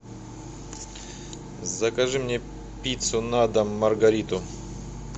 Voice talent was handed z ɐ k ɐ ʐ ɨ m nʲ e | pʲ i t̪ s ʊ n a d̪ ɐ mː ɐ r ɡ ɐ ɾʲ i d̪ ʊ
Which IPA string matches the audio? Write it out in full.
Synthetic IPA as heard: z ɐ k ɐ ʐ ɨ m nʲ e | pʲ i t̪ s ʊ n a d̪ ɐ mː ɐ r ɡ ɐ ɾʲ i t̪ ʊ